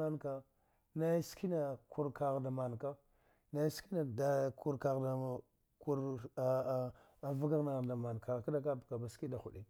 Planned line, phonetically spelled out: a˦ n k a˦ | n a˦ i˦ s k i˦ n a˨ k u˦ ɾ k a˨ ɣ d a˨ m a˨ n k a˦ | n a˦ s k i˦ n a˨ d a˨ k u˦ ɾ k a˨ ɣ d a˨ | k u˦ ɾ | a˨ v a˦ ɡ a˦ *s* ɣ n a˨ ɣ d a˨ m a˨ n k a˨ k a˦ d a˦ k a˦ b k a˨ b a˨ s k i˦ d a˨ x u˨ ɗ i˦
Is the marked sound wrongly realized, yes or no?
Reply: yes